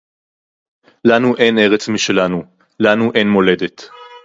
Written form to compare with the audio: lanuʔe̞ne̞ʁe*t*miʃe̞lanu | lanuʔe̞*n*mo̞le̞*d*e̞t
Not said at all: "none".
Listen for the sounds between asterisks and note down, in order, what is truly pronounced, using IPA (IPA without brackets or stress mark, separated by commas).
t͡s, n, d